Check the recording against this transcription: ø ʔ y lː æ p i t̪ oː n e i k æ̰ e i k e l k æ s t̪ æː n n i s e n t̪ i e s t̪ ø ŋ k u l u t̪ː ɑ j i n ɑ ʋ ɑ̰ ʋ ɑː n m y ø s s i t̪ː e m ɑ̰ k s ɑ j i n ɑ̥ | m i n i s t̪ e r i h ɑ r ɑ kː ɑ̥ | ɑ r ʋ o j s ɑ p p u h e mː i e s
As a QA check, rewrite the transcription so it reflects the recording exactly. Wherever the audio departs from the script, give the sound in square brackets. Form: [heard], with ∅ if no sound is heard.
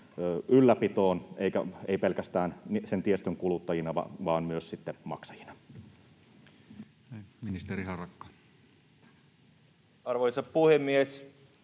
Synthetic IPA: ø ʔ y lː æ p i t̪ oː n e i k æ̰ e i [p] e l k æ s t̪ æː n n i s e n t̪ i e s t̪ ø ŋ k u l u t̪ː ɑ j i n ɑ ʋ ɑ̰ ʋ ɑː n m y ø s s i t̪ː e m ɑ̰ k s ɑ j i n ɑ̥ | m i n i s t̪ e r i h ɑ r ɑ kː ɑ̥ | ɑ r ʋ o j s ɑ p p u h e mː i e s